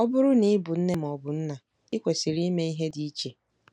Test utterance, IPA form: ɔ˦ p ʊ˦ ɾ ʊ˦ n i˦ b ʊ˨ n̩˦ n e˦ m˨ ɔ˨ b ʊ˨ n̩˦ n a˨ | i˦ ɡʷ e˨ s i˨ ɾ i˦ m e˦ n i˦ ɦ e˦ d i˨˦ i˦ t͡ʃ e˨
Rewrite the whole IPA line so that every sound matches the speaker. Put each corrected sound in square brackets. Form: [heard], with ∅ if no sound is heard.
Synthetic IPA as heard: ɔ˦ [b] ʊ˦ ɾ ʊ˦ n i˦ b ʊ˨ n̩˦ n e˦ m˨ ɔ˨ b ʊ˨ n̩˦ n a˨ | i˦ [kʷ] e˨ s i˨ ɾ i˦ m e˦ [∅] i˦ ɦ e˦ d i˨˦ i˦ t͡ʃ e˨